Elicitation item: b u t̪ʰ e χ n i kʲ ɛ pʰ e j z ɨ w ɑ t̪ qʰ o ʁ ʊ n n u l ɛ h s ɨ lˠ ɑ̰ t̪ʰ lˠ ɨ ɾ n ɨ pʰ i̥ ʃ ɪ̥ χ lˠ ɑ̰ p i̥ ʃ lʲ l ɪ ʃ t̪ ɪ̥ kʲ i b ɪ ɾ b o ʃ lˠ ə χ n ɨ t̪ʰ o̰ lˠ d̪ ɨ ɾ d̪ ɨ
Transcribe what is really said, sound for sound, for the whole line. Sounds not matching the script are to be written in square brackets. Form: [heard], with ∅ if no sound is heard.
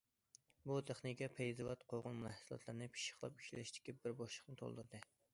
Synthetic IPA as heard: b u t̪ʰ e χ n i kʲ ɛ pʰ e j z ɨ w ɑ t̪ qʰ o ʁ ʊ n [m] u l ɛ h s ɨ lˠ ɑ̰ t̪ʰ lˠ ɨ ɾ n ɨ pʰ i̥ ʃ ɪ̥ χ lˠ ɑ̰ p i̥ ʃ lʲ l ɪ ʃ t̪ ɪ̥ kʲ i b ɪ ɾ b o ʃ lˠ ə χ n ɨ t̪ʰ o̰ lˠ d̪ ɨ ɾ d̪ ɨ